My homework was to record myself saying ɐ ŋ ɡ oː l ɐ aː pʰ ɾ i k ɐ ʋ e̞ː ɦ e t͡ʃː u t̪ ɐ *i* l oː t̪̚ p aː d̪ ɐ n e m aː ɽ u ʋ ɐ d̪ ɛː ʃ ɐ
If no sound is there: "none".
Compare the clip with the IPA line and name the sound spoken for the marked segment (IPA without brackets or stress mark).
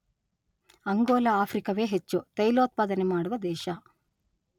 j